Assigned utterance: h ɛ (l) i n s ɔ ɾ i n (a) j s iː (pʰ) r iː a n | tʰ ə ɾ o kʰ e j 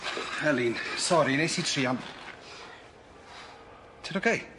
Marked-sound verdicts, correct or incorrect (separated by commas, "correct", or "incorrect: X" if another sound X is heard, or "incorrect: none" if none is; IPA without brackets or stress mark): correct, incorrect: e, incorrect: tʰ